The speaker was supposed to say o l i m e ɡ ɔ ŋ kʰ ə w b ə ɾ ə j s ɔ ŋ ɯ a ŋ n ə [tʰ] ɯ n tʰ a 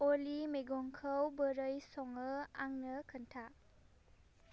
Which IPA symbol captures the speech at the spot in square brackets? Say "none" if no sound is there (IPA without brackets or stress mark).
kʰ